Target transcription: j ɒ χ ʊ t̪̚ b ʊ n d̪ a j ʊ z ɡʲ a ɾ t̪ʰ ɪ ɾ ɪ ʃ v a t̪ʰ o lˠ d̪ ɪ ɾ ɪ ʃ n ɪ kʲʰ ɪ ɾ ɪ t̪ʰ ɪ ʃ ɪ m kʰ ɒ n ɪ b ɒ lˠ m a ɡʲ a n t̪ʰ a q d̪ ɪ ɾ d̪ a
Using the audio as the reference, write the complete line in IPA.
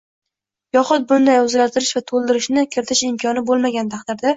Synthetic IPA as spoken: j ɒ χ ʊ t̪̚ b ʊ n d̪ a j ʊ z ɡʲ a ɾ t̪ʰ ɪ ɾ ɪ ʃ v a t̪ʰ o lˠ d̪ ɪ ɾ ɪ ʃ n ɪ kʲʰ ɪ ɾ ɪ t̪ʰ ɪ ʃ ɪ m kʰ ɒ n ɪ b o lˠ m a ɡʲ a n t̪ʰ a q d̪ ɪ ɾ d̪ a